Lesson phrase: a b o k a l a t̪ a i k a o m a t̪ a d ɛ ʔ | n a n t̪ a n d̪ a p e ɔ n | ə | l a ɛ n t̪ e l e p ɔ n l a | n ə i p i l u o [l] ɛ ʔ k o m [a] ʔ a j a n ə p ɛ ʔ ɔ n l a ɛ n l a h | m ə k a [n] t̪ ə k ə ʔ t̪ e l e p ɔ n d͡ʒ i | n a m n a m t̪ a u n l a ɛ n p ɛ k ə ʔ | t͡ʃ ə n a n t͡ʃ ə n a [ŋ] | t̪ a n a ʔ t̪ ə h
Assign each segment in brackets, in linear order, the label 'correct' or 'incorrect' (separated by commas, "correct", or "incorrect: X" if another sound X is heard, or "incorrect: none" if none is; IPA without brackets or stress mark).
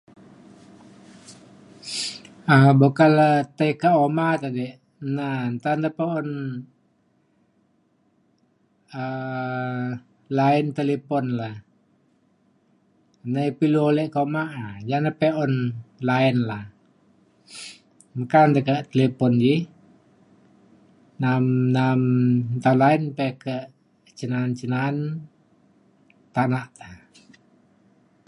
correct, correct, correct, incorrect: n